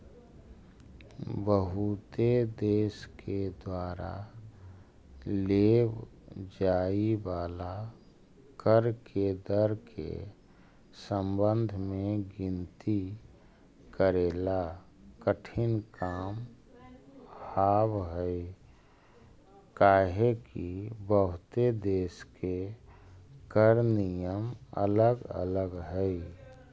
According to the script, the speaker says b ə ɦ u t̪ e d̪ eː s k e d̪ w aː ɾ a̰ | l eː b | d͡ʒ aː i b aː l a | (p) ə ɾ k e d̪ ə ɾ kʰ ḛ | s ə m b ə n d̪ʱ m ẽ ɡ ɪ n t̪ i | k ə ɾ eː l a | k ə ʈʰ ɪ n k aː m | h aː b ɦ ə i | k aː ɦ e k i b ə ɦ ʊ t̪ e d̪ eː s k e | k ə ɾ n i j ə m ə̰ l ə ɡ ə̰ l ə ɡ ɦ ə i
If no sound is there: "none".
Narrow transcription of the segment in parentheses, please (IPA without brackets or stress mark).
k